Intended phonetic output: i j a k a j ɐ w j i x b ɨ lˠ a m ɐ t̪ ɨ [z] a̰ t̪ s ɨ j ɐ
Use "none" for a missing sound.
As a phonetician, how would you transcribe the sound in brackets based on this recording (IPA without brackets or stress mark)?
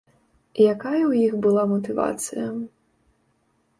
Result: v